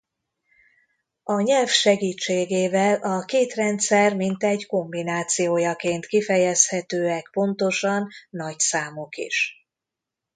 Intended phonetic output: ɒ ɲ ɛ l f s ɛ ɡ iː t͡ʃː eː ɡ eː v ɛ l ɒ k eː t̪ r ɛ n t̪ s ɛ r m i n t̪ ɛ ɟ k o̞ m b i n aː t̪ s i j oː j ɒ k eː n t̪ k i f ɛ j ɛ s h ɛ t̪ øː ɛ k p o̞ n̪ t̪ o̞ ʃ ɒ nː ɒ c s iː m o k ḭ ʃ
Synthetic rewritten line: ɒ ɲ ɛ l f ʃ ɛ ɡ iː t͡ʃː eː ɡ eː v ɛ l ɒ k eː t̪ r ɛ n t̪ s ɛ r m i n t̪ ɛ ɟ k o̞ m b i n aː t̪ s i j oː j ɒ k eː n t̪ k i f ɛ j ɛ s h ɛ t̪ øː ɛ k p o̞ n̪ t̪ o̞ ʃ ɒ nː ɒ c s aː m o k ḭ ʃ